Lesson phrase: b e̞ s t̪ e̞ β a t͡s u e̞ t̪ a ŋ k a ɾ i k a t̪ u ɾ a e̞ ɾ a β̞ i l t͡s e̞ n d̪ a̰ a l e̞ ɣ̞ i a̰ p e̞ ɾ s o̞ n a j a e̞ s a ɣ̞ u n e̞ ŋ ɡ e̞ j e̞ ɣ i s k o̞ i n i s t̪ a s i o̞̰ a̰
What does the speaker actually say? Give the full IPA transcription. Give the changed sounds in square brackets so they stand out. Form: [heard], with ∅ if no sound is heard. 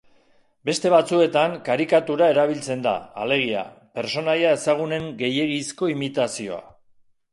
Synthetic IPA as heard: b e̞ s t̪ e̞ β a t͡s u e̞ t̪ a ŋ k a ɾ i k a t̪ u ɾ a e̞ ɾ a β̞ i l t͡s e̞ n d̪ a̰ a l e̞ ɣ̞ i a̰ p e̞ ɾ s o̞ n a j a e̞ s a ɣ̞ u n e̞ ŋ ɡ e̞ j e̞ ɣ i s k o̞ i [m] i [∅] t̪ a s i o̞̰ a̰